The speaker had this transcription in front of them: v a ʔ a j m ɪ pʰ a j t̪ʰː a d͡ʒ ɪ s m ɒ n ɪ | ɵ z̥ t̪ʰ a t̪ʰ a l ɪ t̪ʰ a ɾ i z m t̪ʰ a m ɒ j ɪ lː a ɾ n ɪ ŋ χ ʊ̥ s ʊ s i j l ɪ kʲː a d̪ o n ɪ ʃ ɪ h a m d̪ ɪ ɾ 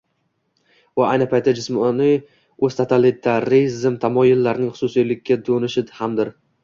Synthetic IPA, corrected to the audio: v a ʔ a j n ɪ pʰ a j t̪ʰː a d͡ʒ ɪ s m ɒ n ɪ | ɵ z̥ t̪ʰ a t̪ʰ a l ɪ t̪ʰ a ɾ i z m t̪ʰ a m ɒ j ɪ lː a ɾ n ɪ ŋ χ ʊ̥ s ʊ s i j l ɪ kʲː a d̪ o n ɪ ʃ ɪ h a m d̪ ɪ ɾ